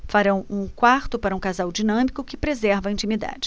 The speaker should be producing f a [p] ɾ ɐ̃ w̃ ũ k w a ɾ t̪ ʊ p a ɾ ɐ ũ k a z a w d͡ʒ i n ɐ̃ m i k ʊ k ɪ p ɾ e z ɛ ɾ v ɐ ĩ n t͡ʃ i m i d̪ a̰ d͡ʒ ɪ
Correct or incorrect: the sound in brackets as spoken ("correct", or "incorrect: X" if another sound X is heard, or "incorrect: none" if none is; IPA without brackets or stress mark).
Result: incorrect: none